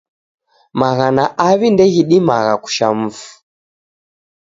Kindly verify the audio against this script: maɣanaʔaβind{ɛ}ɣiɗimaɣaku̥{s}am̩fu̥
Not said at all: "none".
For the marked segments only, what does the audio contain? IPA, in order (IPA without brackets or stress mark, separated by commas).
ɛ, ʃ